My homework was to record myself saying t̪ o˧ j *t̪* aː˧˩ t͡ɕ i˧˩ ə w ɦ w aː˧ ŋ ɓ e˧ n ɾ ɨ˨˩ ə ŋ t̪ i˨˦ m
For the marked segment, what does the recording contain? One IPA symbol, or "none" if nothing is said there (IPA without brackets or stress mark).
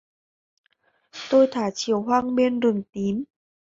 t̪ʰ